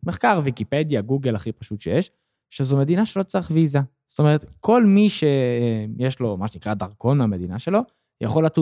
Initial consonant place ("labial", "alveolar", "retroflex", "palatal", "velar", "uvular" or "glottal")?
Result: labial